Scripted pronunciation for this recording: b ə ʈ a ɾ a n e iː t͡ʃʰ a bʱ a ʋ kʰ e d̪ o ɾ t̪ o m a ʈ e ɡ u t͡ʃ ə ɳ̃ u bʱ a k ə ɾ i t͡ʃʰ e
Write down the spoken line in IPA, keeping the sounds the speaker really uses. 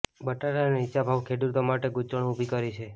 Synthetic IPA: b ə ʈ a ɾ a n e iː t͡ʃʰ a bʱ a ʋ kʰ e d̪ u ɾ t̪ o m a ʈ e ɡ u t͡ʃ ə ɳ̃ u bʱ i k ə ɾ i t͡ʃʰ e